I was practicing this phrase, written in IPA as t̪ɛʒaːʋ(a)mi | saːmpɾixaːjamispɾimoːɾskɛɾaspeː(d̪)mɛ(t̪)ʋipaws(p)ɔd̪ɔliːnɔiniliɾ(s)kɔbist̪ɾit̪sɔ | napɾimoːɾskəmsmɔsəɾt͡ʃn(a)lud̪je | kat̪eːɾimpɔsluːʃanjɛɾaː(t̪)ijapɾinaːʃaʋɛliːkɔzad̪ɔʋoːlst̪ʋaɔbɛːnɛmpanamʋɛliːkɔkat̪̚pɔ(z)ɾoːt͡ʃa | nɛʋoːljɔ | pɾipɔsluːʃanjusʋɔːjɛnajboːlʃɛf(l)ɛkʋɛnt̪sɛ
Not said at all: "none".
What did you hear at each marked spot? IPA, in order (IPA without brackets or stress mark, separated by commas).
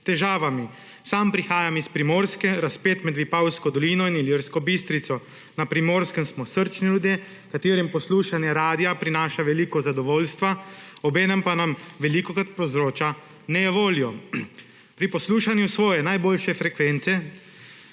a, t̪, d̪, k, s, i, d̪, z, ɾ